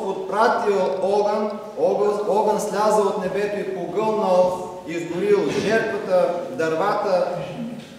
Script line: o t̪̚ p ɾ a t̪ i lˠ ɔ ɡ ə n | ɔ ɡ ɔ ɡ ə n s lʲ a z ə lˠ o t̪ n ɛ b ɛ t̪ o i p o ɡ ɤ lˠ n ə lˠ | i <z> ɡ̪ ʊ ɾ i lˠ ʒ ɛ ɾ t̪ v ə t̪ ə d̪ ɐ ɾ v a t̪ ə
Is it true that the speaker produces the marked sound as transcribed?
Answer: yes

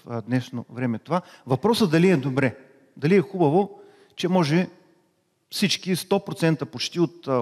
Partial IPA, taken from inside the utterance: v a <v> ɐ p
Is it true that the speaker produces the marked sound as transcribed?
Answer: yes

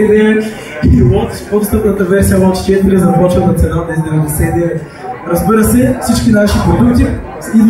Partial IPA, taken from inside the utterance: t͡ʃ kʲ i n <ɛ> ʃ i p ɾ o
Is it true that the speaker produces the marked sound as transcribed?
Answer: no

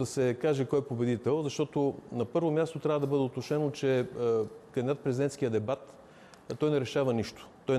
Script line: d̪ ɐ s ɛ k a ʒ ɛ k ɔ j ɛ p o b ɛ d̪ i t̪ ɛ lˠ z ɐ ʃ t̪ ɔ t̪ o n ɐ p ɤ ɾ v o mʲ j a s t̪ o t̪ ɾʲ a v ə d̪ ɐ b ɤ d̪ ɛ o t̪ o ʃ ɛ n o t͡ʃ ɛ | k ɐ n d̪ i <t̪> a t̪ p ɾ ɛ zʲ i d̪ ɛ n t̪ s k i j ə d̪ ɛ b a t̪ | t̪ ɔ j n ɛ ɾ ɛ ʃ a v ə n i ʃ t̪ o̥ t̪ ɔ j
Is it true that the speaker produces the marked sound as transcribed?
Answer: no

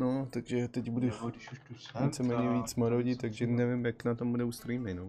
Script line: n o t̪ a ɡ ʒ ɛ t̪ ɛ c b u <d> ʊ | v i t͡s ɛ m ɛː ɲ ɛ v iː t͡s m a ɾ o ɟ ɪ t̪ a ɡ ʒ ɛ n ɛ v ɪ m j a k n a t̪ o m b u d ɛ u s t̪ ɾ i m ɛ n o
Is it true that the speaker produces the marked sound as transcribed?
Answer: yes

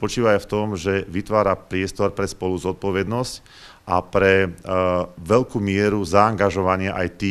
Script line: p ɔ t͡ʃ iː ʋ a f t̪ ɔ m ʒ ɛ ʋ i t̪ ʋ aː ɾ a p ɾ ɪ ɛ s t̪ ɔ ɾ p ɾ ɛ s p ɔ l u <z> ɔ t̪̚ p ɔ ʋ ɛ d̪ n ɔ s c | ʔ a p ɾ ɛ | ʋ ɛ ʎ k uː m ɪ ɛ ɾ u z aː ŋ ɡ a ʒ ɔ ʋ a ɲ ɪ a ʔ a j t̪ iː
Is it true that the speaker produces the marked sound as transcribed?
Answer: yes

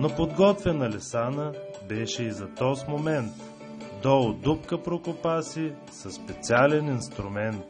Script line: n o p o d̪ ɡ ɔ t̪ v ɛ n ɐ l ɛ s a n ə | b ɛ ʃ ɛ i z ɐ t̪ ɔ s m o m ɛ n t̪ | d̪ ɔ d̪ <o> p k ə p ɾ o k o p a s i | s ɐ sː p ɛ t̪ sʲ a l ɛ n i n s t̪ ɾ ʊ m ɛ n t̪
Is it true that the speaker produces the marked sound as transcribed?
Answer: no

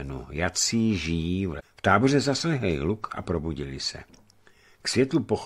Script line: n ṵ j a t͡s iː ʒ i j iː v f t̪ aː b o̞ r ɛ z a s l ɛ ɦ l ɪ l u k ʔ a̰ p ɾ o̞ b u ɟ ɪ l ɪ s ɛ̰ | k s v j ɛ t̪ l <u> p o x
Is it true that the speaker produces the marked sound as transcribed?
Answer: yes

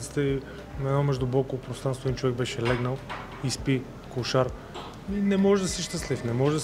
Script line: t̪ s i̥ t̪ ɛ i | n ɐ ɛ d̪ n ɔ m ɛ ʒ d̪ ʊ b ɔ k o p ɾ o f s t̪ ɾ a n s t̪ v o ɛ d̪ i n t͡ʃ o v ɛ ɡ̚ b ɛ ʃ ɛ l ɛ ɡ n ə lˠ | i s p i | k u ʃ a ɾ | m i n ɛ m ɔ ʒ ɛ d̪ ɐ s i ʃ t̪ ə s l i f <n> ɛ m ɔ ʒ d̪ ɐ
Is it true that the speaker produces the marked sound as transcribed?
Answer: yes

